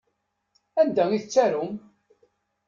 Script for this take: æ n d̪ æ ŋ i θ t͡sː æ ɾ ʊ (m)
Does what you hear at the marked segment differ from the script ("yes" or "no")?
no